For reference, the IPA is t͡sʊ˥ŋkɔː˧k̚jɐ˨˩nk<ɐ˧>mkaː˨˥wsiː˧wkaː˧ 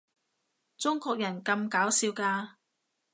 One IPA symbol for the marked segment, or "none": ɐ˧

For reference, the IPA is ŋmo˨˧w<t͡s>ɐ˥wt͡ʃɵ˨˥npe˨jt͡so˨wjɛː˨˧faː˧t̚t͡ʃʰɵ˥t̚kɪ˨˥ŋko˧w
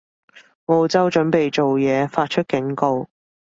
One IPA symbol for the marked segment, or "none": t͡s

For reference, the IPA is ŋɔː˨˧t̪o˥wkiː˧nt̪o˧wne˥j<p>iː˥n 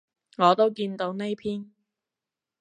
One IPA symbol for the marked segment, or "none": pʰ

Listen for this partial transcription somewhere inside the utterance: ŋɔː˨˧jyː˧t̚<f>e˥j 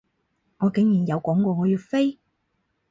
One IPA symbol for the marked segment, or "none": f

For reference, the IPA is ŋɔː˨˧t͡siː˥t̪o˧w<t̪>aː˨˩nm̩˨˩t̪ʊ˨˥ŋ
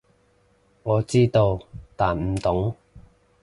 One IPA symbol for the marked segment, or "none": t̪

